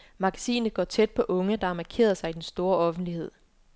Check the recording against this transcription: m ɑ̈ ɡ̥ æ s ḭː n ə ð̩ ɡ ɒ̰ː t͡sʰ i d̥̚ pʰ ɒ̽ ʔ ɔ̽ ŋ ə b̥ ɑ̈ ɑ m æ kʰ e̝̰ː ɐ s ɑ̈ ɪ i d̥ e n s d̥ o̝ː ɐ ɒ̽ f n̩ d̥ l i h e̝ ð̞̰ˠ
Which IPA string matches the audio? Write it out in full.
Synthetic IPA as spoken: m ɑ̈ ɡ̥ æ s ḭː n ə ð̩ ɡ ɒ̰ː t͡sʰ e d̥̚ pʰ ɒ̽ ʔ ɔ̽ ŋ ə d̥ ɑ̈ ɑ m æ kʰ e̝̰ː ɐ s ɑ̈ ɪ i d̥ e n s d̥ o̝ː ɐ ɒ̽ f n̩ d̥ l i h e̝ ð̞̰ˠ